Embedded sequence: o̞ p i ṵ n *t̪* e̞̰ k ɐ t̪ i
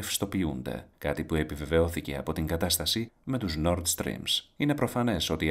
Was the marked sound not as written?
yes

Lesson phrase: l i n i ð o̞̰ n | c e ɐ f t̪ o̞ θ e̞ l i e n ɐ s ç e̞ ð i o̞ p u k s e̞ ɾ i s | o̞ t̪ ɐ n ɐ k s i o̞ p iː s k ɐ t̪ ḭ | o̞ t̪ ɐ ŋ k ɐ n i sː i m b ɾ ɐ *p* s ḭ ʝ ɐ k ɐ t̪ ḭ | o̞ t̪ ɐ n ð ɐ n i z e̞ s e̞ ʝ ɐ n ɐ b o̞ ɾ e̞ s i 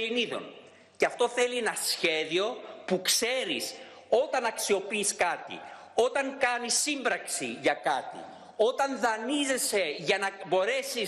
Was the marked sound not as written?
yes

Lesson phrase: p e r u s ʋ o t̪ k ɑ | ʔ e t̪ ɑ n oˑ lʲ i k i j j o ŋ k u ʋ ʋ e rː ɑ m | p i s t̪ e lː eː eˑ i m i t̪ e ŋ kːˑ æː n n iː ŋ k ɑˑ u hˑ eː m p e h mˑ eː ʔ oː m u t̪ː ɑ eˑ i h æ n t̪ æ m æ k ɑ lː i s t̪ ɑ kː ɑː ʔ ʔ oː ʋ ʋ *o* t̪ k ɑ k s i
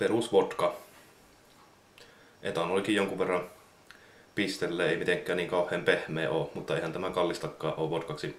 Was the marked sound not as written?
no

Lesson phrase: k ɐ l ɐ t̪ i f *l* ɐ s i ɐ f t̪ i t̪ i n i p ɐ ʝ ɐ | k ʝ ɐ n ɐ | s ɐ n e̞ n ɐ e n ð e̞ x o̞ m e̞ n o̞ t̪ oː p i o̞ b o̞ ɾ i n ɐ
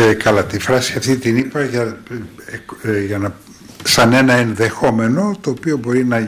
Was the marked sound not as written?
yes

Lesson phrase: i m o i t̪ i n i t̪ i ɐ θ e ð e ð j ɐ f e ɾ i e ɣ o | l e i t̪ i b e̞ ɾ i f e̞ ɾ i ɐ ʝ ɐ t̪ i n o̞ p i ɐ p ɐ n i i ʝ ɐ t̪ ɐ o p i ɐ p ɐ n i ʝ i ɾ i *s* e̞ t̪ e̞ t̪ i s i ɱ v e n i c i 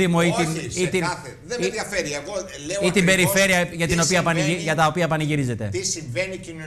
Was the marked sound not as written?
yes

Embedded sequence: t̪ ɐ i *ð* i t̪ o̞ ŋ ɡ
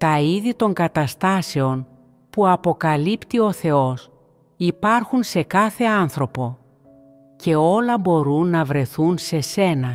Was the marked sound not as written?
no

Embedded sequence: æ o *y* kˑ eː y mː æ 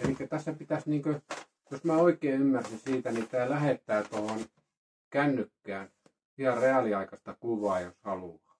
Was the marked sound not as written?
yes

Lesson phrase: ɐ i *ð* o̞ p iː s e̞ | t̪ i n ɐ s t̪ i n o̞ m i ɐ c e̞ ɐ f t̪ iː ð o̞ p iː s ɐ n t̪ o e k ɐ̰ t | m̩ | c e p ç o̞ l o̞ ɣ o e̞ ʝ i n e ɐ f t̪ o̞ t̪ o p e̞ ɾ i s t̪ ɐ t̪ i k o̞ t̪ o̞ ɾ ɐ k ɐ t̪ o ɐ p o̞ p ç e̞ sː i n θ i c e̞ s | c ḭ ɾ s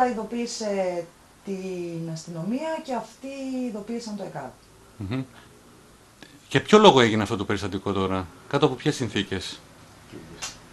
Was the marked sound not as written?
no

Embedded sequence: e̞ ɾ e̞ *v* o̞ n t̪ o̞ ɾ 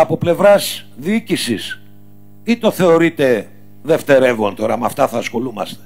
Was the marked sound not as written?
no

